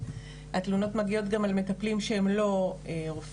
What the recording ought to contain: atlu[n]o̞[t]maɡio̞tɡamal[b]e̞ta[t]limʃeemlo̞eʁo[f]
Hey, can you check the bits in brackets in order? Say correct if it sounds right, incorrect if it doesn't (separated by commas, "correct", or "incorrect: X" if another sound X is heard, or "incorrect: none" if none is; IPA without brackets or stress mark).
correct, correct, incorrect: m, incorrect: p, correct